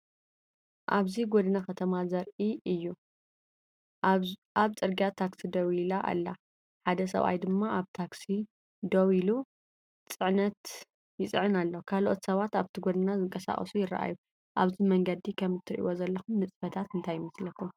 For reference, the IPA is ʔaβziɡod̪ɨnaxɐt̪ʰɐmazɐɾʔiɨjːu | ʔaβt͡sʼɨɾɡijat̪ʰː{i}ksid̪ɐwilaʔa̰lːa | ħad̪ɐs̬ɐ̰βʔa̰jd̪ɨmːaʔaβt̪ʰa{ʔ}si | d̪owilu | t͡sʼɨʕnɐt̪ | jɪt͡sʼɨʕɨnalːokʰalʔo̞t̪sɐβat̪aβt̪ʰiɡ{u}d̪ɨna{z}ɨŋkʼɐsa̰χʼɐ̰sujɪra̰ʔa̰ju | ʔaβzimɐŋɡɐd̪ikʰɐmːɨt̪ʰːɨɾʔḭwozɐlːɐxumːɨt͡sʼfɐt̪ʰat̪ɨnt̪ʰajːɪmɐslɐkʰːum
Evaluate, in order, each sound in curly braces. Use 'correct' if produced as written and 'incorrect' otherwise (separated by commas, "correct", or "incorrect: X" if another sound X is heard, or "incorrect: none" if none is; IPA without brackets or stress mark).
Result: incorrect: a, incorrect: k, incorrect: o, correct